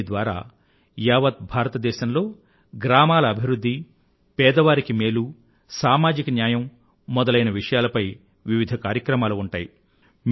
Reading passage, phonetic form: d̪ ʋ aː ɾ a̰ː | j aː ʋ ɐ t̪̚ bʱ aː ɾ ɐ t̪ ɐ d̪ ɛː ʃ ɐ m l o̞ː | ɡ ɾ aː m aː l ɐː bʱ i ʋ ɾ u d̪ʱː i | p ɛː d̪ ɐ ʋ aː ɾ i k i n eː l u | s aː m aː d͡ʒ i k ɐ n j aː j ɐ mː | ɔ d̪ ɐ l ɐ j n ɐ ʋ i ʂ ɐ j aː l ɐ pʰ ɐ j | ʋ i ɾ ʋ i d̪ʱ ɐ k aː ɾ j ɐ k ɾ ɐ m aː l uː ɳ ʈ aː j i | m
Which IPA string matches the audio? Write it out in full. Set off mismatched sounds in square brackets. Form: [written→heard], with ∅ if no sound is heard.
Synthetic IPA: d̪ ʋ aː ɾ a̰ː | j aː ʋ ɐ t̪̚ bʱ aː ɾ ɐ t̪ ɐ d̪ ɛː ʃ ɐ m l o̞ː | ɡ ɾ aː m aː l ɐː bʱ i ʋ ɾ u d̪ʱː i | p ɛː d̪ ɐ ʋ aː ɾ i k i [n→m] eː l u | s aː m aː d͡ʒ i k ɐ n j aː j ɐ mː | ɔ d̪ ɐ l ɐ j n ɐ ʋ i ʂ ɐ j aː l ɐ [pʰ→p] ɐ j | ʋ i [ɾ→∅] ʋ i d̪ʱ ɐ k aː ɾ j ɐ k ɾ ɐ m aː l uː ɳ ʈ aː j i | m